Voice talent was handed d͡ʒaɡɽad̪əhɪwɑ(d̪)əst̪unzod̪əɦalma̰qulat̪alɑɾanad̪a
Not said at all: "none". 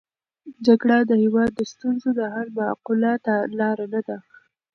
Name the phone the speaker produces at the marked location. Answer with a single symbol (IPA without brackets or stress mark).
d̪ː